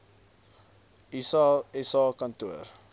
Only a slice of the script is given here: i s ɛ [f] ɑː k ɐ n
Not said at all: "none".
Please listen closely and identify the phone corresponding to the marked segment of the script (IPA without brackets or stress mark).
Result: s